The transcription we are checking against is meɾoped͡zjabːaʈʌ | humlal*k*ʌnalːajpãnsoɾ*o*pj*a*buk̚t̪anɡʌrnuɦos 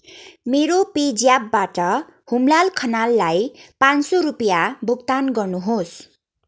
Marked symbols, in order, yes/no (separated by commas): no, no, yes